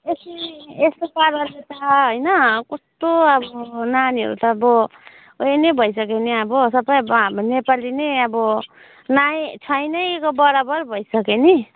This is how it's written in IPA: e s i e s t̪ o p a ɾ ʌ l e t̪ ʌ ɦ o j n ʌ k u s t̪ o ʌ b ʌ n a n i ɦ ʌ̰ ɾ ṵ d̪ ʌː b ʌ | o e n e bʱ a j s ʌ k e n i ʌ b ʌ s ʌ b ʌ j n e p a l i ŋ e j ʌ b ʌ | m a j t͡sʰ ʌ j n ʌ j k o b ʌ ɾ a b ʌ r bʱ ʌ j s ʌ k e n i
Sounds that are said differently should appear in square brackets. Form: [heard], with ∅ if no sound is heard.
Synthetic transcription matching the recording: e s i e s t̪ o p a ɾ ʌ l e t̪ ʌ ɦ o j n ʌ k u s t̪ o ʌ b ʌ n a n i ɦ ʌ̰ ɾ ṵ [t̪] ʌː b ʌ | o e n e bʱ [ʌ] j s ʌ k e n i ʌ b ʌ s ʌ b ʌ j n e p a l i [n] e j ʌ b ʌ | [n] a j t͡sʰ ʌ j n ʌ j k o b ʌ ɾ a b ʌ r bʱ ʌ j s ʌ k e n i